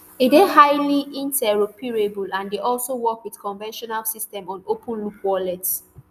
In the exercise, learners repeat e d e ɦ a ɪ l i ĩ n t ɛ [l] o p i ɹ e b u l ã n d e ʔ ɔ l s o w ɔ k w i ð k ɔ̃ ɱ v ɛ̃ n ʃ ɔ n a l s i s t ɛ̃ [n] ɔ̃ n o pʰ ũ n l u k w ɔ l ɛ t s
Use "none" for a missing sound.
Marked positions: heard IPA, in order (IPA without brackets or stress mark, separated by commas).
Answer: ɹ, m